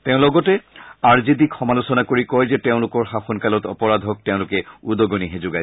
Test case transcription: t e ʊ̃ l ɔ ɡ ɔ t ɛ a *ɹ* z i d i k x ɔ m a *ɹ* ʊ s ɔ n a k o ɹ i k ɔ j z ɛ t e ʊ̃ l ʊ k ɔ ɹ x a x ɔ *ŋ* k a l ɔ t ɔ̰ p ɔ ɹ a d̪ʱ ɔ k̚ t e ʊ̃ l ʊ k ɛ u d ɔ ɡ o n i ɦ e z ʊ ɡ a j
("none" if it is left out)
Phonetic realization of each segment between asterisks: ɹ, l, n

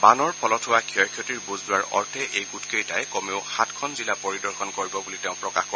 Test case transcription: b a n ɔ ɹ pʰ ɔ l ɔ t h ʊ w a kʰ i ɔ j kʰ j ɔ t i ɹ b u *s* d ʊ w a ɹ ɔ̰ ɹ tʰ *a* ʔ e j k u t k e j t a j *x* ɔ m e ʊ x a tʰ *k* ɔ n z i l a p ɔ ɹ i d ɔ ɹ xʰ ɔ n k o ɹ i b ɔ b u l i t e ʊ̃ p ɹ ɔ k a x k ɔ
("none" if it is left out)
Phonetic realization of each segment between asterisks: z, ɛ, k, kʰ

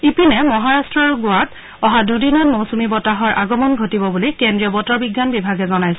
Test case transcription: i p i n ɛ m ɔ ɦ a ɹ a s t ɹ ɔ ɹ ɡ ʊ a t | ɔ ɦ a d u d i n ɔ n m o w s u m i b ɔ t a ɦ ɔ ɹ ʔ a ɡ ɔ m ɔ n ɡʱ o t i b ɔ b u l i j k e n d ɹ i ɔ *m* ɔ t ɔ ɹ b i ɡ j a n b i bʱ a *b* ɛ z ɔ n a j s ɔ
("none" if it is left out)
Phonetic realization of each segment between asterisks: b, ɡ

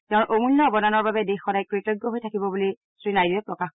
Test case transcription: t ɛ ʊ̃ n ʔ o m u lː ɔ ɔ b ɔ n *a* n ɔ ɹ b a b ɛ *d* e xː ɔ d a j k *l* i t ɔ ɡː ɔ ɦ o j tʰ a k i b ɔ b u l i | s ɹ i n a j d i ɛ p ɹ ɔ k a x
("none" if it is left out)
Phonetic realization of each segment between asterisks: a, d, ɹ

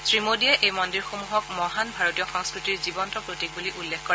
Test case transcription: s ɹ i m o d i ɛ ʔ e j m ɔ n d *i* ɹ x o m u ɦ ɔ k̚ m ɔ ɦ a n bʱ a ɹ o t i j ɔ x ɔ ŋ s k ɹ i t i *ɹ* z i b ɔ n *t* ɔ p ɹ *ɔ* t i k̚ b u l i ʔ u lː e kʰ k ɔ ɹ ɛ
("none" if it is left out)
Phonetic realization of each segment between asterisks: i, ɹ, t, o

